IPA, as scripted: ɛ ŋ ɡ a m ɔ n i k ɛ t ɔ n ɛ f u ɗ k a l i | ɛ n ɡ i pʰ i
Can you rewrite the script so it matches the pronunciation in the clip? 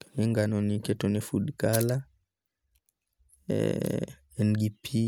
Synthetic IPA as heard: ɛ ŋ ɡ a n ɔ n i k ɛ t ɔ n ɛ f u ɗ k a l a | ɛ n ɡ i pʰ i